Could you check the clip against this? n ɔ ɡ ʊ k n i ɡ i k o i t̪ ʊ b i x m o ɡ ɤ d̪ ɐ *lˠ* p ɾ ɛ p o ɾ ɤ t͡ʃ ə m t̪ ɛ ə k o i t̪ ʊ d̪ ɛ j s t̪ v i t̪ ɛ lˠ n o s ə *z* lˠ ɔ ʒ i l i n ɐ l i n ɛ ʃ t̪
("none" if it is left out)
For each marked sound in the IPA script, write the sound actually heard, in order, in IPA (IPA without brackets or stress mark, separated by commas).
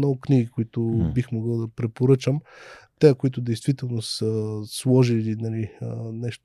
none, s